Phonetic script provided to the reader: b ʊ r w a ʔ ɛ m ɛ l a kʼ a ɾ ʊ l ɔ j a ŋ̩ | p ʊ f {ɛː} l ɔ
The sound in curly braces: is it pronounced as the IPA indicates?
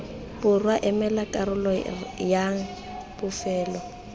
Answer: yes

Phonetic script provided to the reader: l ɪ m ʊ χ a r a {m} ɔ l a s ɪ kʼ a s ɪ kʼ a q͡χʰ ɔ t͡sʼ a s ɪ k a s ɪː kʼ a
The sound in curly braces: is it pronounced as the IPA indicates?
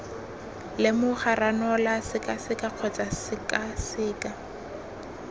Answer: no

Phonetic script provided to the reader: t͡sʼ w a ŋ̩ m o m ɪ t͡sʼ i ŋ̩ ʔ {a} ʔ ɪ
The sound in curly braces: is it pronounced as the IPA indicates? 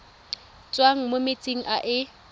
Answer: yes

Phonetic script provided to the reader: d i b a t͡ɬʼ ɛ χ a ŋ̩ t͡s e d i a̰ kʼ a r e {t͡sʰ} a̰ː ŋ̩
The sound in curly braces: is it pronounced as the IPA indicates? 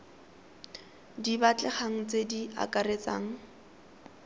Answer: no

